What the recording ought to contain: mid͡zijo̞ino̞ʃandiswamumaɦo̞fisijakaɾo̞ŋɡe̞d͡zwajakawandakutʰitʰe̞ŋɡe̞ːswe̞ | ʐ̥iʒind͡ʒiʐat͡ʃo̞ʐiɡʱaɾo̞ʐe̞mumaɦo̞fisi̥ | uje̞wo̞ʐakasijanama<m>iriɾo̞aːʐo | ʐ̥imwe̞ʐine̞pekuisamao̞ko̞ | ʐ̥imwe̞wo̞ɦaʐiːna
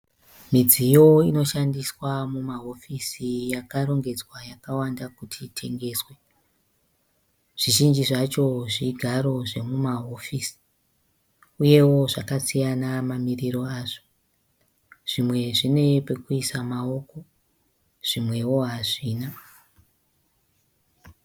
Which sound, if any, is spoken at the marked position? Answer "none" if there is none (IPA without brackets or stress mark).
m